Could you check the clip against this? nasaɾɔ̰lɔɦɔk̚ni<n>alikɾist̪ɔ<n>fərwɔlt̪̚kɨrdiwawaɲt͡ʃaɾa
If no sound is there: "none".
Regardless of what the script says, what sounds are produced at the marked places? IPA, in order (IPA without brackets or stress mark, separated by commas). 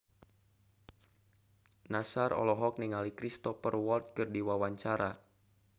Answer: ŋ, none